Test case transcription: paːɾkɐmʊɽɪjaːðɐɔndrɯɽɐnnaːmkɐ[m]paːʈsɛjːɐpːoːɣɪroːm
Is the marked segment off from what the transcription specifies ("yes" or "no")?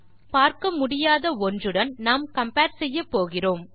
no